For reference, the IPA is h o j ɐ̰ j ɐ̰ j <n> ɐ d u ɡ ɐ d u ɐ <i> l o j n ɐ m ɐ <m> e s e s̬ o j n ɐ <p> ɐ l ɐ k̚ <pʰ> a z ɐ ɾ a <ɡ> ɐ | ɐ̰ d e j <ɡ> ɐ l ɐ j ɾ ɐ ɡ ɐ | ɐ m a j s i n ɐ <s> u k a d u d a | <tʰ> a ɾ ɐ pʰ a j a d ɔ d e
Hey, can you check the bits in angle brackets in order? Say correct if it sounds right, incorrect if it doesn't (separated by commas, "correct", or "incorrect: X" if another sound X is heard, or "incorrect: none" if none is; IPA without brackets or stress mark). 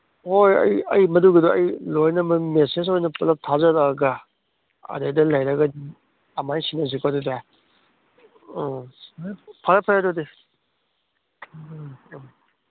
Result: incorrect: m, incorrect: j, correct, correct, incorrect: tʰ, correct, incorrect: d, incorrect: z, incorrect: pʰ